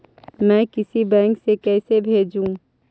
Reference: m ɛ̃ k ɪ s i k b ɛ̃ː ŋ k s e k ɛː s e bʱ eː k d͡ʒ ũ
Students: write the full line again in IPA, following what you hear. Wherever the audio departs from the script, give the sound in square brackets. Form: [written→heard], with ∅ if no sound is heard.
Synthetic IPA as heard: m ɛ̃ k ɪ s i [k→∅] b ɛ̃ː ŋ k s e k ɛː s e bʱ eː [k→∅] d͡ʒ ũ